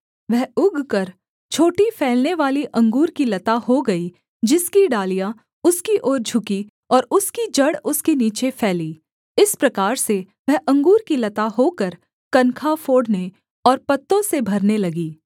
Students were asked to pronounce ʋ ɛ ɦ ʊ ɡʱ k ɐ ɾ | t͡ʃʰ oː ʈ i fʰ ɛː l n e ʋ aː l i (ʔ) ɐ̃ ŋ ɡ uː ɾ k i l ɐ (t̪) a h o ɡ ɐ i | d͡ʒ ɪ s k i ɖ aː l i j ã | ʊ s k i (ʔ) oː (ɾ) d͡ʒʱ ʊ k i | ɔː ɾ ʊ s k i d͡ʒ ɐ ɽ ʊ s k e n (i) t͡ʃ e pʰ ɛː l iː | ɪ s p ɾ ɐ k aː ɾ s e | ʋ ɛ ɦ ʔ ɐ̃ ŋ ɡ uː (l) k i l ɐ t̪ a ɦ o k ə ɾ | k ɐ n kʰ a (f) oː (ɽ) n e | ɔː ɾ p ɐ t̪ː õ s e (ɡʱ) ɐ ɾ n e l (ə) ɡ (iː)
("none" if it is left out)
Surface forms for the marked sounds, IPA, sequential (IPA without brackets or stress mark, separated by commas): ʔ, t̪, ʔ, ɾ, iː, ɾ, f, ɽ, bʱ, ɐ, iː